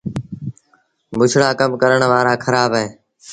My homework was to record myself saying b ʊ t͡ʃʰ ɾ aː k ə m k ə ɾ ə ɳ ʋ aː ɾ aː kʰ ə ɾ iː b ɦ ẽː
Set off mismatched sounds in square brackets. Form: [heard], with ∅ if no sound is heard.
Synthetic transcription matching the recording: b ʊ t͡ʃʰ [ɽ] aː k ə m k ə ɾ ə ɳ ʋ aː ɾ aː kʰ ə ɾ [aː] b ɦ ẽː